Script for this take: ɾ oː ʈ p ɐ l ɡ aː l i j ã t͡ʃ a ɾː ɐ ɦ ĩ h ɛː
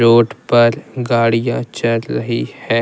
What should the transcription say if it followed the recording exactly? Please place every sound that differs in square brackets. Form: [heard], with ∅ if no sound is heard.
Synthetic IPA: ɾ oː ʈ p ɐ [ɾ] ɡ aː [ɽ] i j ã t͡ʃ [ɐ] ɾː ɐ ɦ [i] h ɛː